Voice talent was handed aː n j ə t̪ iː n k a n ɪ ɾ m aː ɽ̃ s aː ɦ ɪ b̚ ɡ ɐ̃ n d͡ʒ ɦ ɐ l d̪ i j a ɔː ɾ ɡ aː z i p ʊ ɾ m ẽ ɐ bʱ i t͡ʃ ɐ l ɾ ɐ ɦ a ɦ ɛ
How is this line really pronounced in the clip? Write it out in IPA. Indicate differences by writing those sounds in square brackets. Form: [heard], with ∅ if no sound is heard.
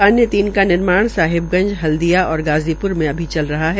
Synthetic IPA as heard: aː n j ə t̪ iː n k a n ɪ ɾ m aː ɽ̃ s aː ɦ ɪ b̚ ɡ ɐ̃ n d͡ʒ ɦ ɐ l d̪ i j a ɔː ɾ ɡ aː z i p ʊ ɾ m ẽ ɐ bʱ i t͡ʃ ɐ l ɾ ɐ ɦ a ɦ ɛ